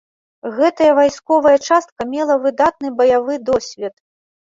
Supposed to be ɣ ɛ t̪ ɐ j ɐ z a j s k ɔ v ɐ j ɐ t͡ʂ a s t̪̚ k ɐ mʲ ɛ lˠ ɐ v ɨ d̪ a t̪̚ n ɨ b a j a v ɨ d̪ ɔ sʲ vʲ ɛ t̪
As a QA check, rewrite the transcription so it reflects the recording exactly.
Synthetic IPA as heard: ɣ ɛ t̪ ɐ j ɐ v a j s k ɔ v ɐ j ɐ t͡ʂ a s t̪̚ k ɐ mʲ ɛ lˠ ɐ v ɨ d̪ a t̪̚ n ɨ b ɐ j a v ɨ d̪ ɔ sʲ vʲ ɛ t̪